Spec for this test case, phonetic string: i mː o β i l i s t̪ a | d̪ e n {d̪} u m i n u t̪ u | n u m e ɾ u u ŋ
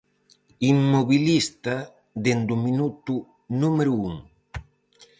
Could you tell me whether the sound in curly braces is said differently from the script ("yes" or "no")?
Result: no